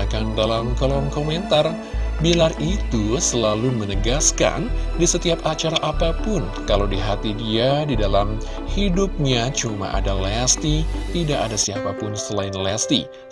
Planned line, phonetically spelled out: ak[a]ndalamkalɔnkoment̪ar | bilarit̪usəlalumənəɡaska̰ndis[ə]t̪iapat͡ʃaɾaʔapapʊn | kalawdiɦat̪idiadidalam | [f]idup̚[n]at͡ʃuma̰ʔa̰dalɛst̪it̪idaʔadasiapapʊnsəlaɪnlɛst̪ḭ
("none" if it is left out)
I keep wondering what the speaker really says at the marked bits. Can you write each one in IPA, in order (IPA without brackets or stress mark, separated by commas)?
a, ə, h, ɲ